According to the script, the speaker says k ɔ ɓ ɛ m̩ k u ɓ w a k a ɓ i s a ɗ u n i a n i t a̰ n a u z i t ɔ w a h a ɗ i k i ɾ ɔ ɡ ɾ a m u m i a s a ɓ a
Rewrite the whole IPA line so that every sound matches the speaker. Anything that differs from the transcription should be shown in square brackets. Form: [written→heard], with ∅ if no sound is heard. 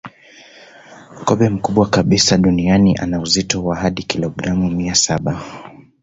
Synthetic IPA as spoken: k ɔ ɓ ɛ m̩ k u ɓ w a k a ɓ i s a ɗ u n i a n i [t→ʔ] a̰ n a u z i t ɔ w a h a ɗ i k i [ɾ→l] ɔ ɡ ɾ a m u m i a s a ɓ a